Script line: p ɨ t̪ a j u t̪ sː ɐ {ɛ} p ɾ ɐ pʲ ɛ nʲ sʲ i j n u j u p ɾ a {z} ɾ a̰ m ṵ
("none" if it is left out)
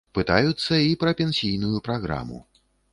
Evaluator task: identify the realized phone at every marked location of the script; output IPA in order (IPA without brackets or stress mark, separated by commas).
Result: i, ɣ